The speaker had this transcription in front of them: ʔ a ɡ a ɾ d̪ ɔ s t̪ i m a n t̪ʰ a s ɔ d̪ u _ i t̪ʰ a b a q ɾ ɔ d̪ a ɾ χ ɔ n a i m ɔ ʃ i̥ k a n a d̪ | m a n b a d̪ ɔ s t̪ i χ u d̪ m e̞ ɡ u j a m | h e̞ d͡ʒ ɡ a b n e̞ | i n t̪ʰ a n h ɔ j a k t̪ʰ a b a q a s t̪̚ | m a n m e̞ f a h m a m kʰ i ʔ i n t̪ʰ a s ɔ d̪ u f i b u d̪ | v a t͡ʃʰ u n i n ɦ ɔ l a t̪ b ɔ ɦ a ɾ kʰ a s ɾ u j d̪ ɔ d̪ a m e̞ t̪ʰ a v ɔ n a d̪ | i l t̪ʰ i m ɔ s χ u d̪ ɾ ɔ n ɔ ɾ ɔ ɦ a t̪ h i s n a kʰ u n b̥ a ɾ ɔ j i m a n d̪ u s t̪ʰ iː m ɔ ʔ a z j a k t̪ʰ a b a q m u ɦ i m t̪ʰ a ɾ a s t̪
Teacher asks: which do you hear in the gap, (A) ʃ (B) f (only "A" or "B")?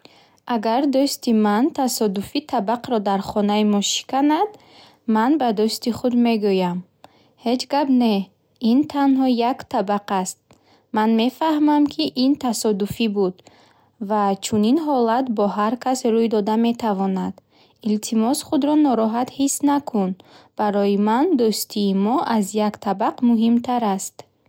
B